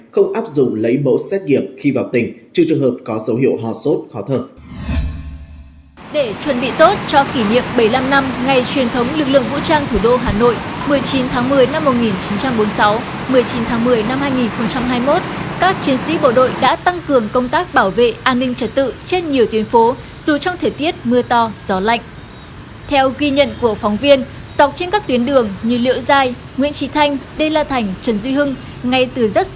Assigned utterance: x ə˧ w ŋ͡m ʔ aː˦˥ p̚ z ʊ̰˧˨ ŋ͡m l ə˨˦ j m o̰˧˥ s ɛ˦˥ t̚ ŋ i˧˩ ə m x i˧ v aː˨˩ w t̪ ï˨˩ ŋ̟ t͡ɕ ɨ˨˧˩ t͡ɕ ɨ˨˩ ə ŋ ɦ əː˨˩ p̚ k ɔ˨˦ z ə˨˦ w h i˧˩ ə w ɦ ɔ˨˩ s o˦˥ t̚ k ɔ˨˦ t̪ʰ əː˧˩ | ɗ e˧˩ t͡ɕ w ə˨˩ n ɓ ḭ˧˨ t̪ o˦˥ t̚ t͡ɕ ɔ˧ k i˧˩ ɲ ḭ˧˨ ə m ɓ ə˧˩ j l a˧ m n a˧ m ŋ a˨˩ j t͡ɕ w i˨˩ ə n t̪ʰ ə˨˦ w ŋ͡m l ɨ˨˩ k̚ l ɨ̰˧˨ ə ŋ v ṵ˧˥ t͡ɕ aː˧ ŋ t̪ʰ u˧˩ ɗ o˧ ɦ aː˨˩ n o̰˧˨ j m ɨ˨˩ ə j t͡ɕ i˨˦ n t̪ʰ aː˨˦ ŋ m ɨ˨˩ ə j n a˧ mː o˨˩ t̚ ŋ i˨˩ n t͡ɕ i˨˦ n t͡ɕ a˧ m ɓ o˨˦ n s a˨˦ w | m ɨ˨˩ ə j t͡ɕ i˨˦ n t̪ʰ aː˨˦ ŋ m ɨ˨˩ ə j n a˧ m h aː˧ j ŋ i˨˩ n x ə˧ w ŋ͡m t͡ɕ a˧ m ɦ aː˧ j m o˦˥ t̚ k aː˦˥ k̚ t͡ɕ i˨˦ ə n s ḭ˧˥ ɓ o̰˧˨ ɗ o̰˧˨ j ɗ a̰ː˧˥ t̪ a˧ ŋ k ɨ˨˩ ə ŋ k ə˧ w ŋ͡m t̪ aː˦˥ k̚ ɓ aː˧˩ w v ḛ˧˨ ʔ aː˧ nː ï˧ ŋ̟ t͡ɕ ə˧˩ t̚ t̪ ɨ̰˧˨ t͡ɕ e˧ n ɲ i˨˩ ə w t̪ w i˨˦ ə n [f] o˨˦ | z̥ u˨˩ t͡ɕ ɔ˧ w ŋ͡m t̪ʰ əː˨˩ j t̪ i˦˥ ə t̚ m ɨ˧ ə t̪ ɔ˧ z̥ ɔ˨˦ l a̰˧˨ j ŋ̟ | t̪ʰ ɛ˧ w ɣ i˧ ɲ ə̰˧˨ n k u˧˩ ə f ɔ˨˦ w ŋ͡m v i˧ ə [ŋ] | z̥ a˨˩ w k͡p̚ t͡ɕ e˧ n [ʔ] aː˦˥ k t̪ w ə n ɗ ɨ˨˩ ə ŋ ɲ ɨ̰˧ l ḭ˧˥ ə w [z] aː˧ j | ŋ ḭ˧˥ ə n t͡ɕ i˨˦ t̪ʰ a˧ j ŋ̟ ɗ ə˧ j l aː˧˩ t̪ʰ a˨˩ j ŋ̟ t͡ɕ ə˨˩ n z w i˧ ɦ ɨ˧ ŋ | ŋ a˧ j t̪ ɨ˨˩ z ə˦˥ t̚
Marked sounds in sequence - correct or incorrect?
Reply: correct, incorrect: n, incorrect: k, correct

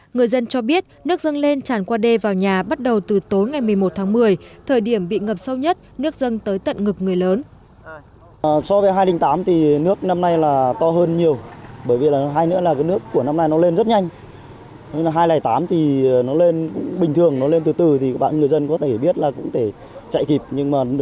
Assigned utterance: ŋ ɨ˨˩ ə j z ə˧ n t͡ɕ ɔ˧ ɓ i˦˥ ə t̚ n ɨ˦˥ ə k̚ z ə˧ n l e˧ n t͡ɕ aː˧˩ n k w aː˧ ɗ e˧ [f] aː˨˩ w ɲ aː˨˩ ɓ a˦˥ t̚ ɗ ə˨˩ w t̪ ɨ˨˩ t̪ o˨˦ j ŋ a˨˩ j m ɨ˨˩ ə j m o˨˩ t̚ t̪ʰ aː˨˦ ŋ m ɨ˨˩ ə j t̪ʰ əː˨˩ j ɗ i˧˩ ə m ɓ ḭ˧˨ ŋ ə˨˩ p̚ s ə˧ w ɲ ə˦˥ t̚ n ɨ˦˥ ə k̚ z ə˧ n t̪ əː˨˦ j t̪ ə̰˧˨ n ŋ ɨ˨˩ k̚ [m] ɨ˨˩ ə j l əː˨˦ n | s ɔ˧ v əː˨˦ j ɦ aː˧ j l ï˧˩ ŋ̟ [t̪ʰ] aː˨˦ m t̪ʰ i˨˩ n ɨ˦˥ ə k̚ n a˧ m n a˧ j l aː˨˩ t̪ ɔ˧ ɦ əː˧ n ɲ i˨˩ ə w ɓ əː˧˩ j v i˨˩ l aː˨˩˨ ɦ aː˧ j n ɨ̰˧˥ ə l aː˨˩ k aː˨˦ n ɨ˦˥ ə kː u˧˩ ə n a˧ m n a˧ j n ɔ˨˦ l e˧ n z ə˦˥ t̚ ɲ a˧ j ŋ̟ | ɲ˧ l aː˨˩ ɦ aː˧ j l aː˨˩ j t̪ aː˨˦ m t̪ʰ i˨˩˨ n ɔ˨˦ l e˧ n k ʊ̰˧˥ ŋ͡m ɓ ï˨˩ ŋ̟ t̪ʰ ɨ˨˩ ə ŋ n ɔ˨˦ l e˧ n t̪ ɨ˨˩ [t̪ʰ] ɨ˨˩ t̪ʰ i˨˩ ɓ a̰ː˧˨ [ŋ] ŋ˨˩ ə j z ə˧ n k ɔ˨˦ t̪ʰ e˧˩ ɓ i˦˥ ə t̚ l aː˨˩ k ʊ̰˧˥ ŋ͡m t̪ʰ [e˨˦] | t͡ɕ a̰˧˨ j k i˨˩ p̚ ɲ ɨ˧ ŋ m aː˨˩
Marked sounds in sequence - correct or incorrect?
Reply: incorrect: v, incorrect: ŋ, incorrect: t̪, incorrect: t̪, incorrect: n, incorrect: e˧˩

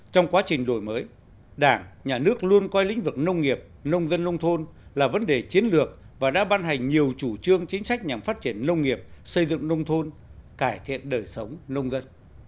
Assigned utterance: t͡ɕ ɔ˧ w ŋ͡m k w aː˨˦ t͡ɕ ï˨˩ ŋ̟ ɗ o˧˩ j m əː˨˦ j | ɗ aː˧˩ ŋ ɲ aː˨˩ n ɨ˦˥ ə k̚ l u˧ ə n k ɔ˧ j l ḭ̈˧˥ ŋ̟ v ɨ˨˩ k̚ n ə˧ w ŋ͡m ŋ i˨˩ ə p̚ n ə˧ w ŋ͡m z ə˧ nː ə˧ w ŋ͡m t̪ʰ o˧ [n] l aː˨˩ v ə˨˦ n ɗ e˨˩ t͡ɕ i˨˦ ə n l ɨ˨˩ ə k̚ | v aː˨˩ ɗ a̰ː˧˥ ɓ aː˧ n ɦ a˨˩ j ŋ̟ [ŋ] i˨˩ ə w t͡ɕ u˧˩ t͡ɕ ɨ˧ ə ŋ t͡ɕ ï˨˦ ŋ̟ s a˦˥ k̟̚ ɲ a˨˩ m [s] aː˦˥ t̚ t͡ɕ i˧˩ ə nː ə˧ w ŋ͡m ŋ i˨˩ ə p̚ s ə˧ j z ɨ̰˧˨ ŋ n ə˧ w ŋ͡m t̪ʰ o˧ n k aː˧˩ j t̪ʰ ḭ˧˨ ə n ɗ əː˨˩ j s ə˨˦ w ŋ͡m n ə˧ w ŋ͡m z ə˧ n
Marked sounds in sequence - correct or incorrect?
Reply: correct, incorrect: ɲ, incorrect: f

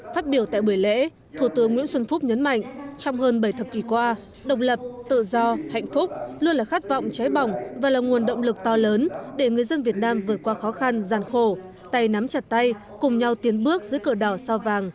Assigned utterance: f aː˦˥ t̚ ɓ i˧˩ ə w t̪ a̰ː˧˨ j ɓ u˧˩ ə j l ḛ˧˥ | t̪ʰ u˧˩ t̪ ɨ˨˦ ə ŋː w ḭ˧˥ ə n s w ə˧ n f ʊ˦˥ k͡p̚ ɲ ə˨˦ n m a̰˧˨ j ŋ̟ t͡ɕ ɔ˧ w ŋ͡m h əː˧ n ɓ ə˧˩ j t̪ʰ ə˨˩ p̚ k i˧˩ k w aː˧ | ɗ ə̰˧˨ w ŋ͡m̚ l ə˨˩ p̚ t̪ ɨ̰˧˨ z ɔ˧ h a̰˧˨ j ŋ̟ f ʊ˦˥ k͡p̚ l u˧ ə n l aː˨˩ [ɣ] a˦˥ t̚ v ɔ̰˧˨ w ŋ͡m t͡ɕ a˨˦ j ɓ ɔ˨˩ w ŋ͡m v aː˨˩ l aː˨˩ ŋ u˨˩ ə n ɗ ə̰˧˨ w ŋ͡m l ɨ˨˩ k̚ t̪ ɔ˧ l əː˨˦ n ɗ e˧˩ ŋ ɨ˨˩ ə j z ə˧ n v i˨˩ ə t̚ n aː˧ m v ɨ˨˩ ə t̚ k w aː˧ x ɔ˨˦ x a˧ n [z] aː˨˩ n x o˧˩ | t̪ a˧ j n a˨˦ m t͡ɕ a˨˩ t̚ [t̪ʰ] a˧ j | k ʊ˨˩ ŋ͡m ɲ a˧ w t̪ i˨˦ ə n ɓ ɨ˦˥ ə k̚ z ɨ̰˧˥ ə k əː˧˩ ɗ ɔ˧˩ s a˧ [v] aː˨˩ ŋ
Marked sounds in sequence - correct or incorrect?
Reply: incorrect: x, correct, incorrect: t̪, correct

